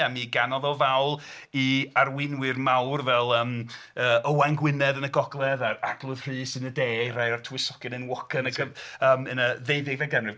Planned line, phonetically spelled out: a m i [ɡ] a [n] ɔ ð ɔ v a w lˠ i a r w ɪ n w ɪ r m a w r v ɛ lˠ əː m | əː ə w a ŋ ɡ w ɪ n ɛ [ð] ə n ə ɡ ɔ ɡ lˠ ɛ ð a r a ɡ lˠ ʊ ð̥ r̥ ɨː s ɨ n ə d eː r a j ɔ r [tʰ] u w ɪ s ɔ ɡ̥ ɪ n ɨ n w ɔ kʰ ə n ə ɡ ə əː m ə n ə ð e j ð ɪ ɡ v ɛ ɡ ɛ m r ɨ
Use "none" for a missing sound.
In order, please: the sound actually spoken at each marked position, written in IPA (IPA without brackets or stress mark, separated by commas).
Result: ɡ, n, ð, tʰ